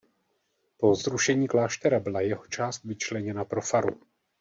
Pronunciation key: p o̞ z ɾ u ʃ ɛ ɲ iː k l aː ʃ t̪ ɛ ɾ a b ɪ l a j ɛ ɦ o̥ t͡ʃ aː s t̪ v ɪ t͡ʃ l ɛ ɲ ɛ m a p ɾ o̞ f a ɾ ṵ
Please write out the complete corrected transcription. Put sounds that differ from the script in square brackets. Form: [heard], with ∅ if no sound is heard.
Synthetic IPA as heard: p o̞ z ɾ u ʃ ɛ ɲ iː k l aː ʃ t̪ ɛ ɾ a b ɪ l a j ɛ ɦ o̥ t͡ʃ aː s t̪ v ɪ t͡ʃ l ɛ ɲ ɛ [n] a p ɾ o̞ f a ɾ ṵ